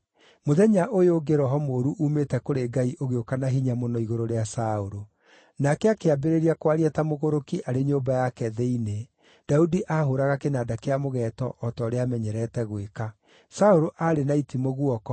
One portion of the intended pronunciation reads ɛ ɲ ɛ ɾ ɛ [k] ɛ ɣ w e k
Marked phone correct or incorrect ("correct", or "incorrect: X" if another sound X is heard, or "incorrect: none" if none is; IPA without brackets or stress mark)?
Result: incorrect: t